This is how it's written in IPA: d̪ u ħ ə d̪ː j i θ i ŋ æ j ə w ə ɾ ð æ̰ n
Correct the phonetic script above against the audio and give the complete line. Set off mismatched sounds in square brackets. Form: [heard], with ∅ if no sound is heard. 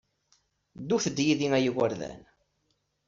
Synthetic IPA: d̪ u [θ] ə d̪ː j i [ð] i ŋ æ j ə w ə ɾ ð æ̰ n